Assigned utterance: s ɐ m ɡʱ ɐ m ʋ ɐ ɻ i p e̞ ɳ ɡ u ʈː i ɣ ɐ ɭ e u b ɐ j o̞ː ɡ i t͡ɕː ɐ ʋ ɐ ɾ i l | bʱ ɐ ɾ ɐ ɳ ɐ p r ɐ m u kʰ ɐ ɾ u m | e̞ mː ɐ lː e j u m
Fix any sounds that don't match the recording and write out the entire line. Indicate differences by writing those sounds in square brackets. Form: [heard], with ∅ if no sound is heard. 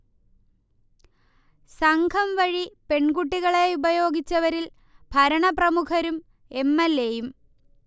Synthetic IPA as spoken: s ɐ [ŋ] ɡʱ ɐ m ʋ ɐ ɻ i p e̞ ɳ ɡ u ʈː i ɣ ɐ ɭ e u b ɐ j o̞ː ɡ i t͡ɕː ɐ ʋ ɐ ɾ i l | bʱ ɐ ɾ ɐ ɳ ɐ p r ɐ m u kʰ ɐ ɾ u m | e̞ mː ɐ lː e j u m